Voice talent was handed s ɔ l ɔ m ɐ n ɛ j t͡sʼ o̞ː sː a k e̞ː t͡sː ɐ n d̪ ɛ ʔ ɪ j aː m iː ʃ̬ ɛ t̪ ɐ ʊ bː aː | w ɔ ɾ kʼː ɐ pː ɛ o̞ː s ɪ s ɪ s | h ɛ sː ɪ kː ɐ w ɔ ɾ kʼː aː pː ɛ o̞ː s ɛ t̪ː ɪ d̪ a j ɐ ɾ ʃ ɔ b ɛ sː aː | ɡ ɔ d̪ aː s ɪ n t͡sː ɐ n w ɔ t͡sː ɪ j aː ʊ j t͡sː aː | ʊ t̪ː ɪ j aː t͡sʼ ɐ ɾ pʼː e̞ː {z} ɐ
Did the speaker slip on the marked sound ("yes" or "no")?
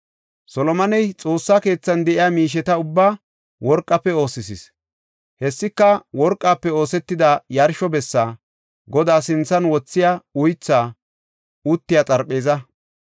no